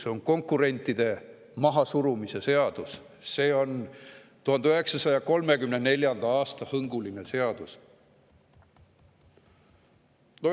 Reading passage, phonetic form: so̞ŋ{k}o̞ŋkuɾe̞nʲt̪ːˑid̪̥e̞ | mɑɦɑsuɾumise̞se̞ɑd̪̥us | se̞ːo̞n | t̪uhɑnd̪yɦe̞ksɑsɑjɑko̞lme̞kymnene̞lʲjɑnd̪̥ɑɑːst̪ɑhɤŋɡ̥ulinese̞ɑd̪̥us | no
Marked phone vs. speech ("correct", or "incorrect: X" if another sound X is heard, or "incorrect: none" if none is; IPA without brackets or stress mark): correct